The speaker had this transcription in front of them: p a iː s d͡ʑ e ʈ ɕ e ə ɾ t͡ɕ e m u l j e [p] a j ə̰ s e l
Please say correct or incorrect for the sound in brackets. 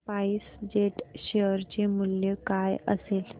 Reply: incorrect: k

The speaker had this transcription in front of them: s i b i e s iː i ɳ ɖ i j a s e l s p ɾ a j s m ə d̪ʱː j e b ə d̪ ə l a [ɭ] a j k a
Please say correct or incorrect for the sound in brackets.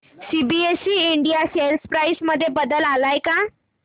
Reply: incorrect: l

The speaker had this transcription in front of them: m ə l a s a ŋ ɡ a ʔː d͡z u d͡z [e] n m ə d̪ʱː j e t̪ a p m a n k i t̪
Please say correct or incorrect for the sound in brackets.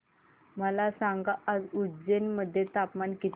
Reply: correct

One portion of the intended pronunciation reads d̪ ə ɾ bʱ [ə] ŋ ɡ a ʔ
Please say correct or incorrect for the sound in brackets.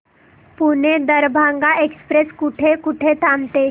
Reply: incorrect: a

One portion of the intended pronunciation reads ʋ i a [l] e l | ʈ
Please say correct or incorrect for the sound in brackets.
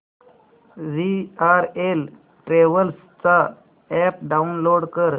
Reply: incorrect: ɾ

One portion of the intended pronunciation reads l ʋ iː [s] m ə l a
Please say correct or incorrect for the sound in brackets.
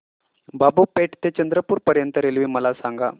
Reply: incorrect: none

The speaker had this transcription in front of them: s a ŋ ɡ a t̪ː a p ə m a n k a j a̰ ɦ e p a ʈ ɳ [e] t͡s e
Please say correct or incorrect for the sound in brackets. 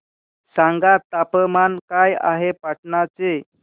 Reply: incorrect: a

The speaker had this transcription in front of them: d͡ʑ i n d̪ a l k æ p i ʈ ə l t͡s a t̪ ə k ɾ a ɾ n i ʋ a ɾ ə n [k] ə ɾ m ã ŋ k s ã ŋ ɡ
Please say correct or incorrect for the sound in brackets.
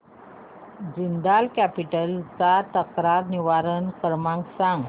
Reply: correct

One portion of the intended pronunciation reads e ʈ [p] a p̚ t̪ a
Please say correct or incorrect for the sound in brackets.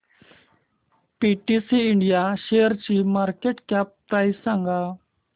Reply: incorrect: k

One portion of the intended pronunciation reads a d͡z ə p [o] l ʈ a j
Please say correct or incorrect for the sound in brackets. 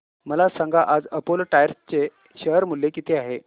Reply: correct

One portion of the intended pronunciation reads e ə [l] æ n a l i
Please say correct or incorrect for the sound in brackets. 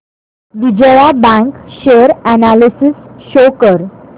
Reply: incorrect: ɾ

